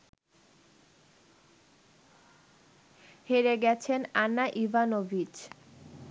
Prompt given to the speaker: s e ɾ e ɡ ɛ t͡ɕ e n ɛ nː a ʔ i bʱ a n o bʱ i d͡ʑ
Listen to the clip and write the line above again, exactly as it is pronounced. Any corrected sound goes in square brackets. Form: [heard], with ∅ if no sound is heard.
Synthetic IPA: [h] e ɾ e ɡ ɛ [t͡ɕʰ] e n [a] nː a ʔ i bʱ a n o bʱ i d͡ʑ